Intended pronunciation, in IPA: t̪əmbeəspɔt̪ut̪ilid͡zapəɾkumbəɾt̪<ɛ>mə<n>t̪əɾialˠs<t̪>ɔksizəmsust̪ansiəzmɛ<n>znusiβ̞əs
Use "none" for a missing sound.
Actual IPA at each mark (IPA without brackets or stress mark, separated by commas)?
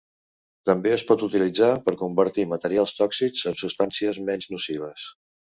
i, none, t̪, n